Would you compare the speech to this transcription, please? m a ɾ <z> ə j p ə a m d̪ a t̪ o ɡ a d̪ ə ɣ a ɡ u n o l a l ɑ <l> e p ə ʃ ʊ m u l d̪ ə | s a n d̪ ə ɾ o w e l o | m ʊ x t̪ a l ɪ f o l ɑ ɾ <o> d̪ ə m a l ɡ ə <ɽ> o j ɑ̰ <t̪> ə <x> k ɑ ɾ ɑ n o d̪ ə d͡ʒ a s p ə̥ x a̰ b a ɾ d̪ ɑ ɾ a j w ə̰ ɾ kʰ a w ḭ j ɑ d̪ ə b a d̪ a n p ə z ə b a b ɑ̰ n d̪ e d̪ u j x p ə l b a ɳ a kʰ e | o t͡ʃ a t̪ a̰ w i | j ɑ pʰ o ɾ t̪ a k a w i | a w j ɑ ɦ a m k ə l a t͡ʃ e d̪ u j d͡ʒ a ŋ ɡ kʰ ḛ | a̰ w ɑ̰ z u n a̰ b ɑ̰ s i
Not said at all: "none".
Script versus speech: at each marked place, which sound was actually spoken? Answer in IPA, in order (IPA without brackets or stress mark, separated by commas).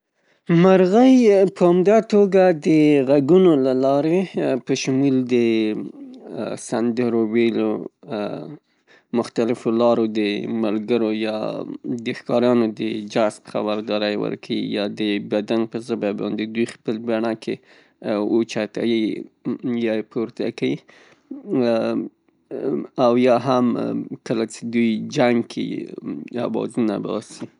ɣ, ɾ, o, ɾ, d̪, x